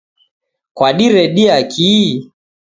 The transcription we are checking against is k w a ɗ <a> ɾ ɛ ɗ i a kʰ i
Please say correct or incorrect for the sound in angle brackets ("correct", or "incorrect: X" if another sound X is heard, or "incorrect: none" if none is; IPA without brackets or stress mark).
incorrect: i